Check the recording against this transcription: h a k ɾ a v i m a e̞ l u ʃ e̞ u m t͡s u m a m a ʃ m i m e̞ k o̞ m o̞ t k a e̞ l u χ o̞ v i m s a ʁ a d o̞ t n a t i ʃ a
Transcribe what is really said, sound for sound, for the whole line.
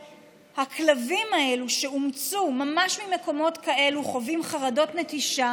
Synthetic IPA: h a k l a v i m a e̞ l u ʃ e̞ u m t͡s u m a m a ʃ m i m e̞ k o̞ m o̞ t k a e̞ l u χ o̞ v i m χ a ʁ a d o̞ t n e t i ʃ a